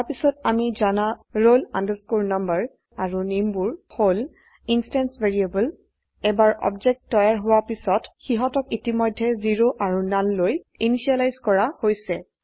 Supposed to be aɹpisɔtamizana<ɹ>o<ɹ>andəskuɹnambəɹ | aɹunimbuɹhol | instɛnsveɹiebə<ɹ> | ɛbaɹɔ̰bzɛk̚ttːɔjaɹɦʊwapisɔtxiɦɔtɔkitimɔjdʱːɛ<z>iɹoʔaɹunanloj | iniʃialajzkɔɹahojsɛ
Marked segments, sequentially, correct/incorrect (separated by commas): correct, incorrect, incorrect, correct